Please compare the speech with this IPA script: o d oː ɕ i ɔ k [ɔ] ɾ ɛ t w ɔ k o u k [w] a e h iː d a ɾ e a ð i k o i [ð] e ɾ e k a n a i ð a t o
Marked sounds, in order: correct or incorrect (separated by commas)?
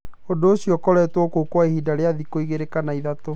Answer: correct, correct, incorrect